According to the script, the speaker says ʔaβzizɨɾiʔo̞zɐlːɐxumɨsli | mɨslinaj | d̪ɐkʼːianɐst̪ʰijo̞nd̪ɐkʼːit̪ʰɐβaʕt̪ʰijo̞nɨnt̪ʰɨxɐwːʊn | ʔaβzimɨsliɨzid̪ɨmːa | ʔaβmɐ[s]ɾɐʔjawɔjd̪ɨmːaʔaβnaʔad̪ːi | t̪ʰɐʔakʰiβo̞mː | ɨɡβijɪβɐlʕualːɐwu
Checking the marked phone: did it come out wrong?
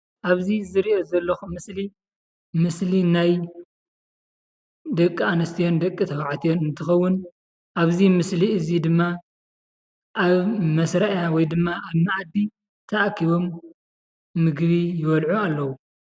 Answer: no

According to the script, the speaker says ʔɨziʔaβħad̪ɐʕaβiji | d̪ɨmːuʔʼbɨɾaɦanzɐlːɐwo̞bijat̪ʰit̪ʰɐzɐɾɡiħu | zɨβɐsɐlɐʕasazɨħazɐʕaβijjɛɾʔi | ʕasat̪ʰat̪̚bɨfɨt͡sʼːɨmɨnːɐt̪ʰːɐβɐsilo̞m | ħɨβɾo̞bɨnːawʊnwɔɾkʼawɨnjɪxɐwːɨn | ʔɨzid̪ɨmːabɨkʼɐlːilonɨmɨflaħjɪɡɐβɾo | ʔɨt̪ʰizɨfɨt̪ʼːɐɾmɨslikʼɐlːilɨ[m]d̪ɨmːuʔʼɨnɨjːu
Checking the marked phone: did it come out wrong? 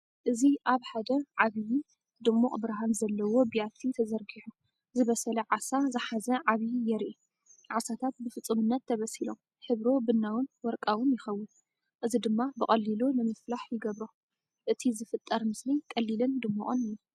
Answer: yes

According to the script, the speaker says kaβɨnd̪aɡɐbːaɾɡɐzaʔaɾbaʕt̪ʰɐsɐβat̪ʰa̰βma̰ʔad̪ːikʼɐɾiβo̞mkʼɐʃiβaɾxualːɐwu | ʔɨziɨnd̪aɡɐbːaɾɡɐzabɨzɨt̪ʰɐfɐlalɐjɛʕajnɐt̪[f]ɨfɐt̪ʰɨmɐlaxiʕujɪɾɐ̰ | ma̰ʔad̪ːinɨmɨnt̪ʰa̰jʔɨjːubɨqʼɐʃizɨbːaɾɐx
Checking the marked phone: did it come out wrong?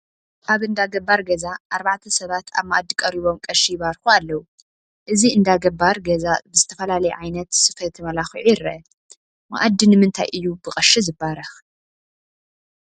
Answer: yes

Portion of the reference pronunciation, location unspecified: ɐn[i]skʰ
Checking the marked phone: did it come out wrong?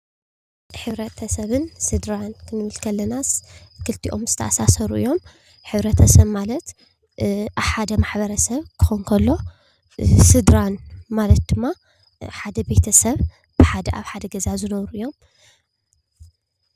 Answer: yes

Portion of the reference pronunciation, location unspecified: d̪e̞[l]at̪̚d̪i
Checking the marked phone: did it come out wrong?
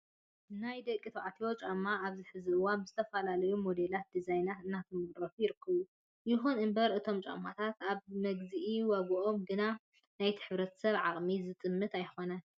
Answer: no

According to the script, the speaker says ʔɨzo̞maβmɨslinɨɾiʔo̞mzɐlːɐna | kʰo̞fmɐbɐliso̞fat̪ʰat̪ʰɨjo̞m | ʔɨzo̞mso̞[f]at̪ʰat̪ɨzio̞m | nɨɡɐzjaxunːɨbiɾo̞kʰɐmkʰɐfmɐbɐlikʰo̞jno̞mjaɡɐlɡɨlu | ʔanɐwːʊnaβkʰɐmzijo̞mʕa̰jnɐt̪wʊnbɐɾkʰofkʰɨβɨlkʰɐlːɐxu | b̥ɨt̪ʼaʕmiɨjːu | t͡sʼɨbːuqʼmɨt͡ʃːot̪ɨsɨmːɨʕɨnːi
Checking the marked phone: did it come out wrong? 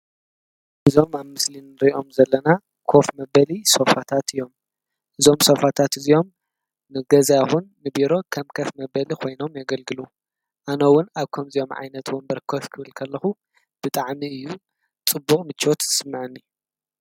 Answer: no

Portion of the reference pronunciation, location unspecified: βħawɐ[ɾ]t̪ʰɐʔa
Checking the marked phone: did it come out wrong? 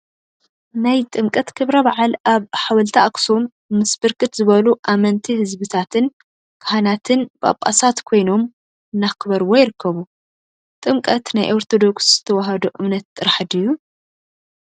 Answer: yes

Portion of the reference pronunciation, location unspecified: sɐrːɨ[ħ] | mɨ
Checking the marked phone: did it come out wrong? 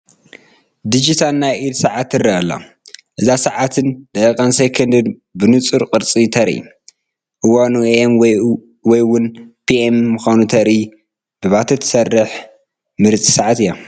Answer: no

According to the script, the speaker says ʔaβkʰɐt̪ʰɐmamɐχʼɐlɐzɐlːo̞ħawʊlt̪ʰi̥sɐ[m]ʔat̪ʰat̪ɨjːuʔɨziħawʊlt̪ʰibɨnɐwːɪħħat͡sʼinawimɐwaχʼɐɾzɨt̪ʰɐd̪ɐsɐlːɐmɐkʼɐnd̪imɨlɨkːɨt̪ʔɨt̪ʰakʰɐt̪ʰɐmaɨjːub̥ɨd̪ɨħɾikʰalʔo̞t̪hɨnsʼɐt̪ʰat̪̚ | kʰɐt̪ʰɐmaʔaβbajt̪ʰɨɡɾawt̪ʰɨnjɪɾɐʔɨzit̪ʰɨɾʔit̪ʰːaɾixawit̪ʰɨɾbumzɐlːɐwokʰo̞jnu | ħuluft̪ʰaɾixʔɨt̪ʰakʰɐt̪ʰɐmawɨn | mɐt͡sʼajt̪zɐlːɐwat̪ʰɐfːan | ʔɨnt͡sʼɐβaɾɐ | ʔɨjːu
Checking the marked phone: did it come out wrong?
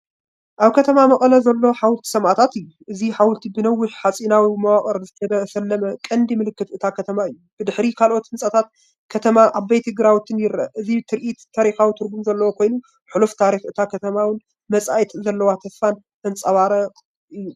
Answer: no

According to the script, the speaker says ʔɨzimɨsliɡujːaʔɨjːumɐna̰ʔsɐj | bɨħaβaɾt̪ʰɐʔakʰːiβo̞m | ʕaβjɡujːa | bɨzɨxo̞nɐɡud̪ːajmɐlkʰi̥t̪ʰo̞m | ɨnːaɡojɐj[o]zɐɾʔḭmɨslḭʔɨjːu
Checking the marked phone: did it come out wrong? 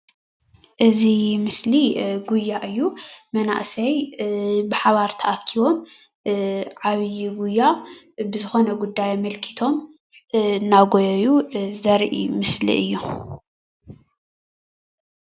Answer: yes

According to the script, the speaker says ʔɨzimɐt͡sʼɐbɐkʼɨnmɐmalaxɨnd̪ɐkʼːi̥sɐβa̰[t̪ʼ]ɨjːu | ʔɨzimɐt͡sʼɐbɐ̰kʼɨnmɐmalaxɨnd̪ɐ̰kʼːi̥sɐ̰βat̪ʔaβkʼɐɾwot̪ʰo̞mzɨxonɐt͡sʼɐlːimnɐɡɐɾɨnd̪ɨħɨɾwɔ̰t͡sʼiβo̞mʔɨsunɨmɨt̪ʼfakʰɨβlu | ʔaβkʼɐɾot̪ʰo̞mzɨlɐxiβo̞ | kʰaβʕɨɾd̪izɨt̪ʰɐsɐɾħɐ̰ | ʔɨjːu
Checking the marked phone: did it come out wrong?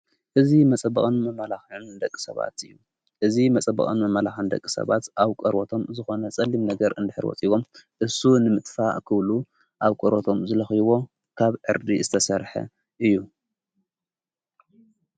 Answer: yes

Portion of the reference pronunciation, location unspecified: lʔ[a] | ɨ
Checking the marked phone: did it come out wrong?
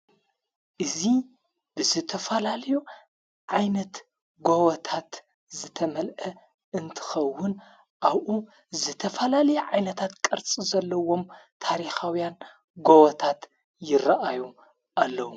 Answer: yes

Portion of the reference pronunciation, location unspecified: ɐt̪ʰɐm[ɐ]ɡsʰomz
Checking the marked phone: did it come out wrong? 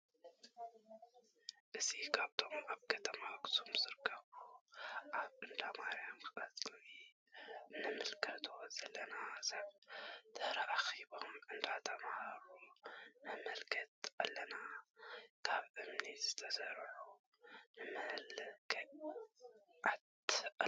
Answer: yes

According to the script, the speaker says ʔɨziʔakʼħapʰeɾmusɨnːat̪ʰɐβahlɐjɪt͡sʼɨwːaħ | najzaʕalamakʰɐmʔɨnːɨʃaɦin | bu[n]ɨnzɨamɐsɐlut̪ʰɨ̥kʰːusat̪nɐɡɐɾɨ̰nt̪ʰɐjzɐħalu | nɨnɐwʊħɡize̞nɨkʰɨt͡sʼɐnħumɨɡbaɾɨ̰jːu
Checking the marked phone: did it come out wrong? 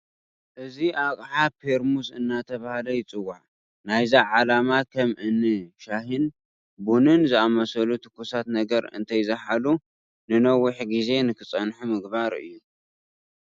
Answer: no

